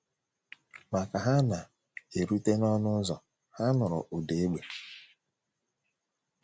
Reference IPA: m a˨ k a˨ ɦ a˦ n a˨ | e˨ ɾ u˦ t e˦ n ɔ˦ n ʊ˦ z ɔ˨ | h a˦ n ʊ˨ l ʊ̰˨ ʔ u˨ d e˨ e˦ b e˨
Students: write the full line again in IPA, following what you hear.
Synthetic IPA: m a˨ k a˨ ɦ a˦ n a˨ | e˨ ɾ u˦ t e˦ n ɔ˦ n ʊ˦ z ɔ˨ | h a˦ n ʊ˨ ɾ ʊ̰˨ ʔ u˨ d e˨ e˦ ɡ͡b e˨